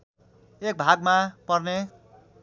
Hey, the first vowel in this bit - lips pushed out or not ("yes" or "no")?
no